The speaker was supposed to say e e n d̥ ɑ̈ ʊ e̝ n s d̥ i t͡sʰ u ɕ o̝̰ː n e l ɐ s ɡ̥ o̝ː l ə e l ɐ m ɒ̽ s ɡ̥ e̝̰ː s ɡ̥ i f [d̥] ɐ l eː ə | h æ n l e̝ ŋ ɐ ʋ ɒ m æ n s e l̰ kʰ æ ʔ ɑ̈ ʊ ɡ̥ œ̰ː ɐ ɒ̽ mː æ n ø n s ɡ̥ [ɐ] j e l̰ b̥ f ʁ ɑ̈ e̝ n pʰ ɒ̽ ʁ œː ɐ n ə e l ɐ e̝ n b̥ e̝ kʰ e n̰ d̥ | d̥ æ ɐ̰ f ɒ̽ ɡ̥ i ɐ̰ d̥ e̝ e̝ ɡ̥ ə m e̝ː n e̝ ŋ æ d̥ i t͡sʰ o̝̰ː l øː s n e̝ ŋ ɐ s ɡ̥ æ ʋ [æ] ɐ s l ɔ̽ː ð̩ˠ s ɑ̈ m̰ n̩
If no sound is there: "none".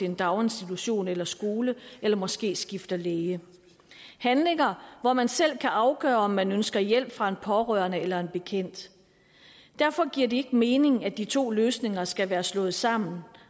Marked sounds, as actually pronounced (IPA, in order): d̥, ɐ, æː

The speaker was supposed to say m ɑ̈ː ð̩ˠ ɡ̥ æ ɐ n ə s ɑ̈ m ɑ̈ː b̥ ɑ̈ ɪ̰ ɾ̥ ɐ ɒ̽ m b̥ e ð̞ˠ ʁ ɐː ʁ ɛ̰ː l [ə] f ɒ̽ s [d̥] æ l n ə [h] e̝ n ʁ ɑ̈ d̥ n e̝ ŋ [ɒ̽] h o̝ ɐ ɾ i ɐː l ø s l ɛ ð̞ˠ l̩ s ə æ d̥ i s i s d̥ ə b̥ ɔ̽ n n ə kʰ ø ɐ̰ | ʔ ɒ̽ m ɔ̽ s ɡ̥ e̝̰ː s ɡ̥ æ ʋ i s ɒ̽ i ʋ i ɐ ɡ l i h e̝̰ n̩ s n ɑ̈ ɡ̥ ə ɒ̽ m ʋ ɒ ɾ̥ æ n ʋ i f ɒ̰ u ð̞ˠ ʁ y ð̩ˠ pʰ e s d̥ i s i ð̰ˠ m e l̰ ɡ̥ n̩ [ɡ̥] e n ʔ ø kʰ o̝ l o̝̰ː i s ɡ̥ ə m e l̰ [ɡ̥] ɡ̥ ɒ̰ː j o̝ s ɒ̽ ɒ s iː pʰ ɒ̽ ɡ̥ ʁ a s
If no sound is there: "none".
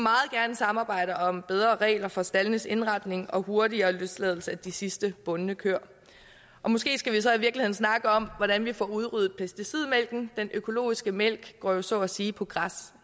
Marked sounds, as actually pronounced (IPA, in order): ɐ, d̥, s, ɒ̽, d̥, ɡ̥

